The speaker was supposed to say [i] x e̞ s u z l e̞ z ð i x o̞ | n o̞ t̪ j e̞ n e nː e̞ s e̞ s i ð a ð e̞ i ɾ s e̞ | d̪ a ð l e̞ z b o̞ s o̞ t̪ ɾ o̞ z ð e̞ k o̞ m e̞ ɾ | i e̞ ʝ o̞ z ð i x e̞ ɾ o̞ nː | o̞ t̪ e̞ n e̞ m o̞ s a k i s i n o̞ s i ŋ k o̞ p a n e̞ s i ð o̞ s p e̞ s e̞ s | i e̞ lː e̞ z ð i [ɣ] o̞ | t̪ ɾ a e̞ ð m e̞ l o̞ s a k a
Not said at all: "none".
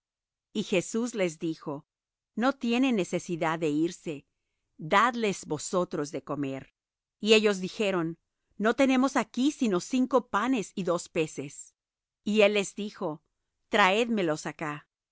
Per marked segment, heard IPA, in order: i, x

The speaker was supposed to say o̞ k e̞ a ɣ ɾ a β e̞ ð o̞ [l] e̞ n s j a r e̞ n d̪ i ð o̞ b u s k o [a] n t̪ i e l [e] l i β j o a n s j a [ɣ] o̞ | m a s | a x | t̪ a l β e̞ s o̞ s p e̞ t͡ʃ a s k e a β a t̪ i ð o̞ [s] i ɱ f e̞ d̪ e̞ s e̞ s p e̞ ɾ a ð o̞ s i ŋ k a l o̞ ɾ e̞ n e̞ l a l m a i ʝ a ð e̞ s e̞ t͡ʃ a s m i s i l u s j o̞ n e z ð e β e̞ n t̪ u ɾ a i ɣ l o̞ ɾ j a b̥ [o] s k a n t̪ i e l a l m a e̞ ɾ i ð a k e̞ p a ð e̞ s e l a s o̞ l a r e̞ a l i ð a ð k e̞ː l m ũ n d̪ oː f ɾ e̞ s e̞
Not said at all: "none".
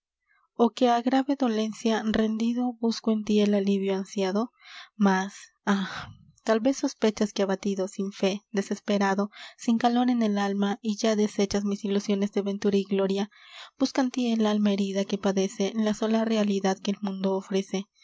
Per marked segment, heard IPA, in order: l, e, a, ð, s, u

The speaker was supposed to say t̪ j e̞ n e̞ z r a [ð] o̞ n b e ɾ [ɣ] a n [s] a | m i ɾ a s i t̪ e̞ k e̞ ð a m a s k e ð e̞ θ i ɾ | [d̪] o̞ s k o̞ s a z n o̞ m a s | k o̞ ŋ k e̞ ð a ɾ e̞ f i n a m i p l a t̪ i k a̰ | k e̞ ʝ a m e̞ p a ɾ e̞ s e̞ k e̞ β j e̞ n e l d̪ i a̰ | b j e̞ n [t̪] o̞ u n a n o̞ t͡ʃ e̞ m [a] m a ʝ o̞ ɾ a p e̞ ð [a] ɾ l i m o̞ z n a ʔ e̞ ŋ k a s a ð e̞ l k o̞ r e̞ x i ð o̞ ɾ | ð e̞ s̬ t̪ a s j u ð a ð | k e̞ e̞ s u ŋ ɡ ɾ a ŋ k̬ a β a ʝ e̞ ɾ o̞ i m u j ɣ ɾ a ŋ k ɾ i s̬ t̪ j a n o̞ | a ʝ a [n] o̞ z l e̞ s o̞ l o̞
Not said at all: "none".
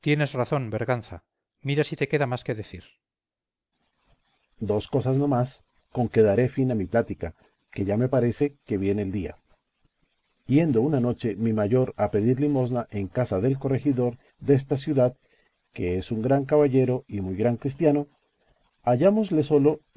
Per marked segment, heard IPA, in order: θ, ɣ, θ, d̪, d̪, i, i, m

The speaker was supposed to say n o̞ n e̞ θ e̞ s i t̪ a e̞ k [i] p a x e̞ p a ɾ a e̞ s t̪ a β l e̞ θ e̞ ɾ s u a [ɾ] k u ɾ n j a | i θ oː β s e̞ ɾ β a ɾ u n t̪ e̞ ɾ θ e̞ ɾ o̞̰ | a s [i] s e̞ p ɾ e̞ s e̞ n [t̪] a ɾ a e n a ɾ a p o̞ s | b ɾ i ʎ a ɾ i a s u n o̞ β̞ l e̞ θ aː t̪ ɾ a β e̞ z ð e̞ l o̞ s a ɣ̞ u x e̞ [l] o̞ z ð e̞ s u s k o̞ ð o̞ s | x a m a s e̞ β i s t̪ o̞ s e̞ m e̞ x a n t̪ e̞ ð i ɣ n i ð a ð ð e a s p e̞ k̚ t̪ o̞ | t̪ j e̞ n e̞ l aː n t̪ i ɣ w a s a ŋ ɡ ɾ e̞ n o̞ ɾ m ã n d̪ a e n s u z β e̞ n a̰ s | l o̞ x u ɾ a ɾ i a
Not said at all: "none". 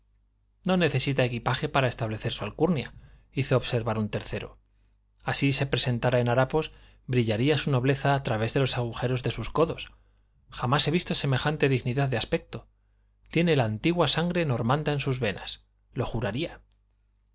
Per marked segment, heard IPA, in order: i, l, i, t̪, ɾ

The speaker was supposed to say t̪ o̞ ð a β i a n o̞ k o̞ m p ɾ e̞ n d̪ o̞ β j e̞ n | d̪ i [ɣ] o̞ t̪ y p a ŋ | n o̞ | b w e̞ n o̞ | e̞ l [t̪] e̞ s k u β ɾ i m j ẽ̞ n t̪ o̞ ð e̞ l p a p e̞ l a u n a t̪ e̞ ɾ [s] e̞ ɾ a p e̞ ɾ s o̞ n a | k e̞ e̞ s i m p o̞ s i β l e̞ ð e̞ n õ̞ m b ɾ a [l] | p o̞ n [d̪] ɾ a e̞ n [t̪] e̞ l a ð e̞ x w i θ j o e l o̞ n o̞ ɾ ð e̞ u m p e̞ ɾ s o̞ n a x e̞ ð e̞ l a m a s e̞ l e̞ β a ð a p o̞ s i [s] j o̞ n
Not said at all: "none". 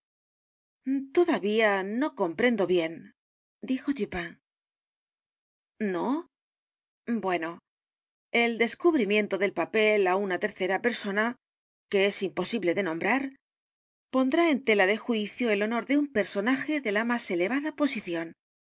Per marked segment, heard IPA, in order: x, d̪, θ, ɾ, d̪, t̪, θ

